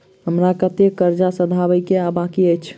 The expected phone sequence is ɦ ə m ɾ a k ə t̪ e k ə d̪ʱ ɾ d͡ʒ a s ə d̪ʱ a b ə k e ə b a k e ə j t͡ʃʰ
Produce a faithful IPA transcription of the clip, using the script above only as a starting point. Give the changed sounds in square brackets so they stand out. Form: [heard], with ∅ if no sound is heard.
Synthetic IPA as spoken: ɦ ə m ɾ a k ə t̪ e k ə [∅] ɾ d͡ʒ a s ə d̪ʱ a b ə k e [a] b a k [i] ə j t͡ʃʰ